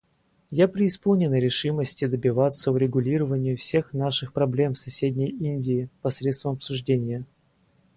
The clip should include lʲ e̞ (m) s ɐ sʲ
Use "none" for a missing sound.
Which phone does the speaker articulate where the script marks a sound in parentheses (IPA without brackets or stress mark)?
m